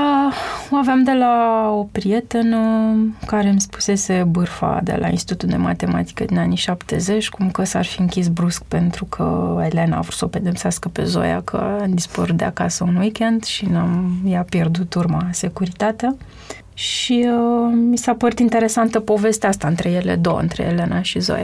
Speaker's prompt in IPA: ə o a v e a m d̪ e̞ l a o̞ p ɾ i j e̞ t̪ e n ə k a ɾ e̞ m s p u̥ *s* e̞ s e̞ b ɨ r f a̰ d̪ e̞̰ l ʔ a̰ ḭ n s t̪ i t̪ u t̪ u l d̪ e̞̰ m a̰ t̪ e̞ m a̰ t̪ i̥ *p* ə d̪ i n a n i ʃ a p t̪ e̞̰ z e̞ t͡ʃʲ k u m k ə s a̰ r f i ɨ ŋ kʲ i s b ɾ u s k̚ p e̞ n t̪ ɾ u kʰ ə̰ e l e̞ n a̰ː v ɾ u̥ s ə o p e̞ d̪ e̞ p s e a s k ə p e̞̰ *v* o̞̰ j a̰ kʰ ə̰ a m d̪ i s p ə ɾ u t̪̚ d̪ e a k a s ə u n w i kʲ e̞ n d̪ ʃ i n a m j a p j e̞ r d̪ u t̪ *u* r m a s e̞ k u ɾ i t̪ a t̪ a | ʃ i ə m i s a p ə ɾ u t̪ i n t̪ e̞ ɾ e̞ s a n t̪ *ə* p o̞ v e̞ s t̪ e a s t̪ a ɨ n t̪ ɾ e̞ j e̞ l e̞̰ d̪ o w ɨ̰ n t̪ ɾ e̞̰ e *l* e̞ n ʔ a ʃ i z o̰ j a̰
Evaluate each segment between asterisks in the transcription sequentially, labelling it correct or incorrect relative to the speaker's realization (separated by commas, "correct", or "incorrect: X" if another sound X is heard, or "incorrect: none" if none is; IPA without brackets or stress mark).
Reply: correct, incorrect: k, incorrect: z, correct, correct, correct